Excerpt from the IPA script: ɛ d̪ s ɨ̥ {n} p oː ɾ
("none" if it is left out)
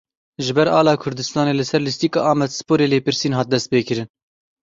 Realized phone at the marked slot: none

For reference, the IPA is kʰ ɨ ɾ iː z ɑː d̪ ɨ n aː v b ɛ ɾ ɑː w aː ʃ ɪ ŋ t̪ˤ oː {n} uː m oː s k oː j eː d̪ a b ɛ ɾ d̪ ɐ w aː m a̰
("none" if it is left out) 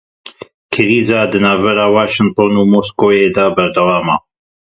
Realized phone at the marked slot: n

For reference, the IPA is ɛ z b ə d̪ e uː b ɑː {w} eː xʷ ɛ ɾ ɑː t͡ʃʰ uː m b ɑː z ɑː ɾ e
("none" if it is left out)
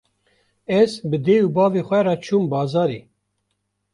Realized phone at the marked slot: v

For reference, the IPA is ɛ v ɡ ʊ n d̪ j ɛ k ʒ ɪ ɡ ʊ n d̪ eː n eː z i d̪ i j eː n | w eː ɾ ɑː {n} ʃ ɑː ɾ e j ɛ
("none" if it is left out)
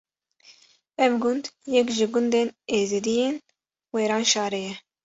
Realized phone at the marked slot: n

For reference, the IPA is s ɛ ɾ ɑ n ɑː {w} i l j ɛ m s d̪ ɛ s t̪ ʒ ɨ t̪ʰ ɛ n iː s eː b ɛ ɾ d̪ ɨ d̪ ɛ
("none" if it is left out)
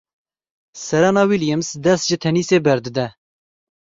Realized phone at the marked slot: w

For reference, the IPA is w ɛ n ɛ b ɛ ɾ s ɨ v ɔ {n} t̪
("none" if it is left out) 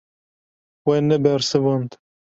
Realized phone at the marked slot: n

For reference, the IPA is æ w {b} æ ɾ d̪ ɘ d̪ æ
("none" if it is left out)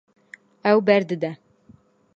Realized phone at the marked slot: b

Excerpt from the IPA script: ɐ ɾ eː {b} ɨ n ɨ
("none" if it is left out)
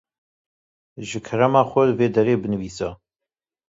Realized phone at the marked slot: b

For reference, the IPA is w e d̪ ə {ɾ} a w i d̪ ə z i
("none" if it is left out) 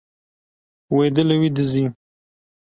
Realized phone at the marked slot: l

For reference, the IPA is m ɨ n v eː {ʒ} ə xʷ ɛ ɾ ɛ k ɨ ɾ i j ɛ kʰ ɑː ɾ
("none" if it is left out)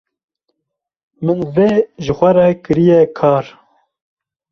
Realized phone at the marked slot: ʒ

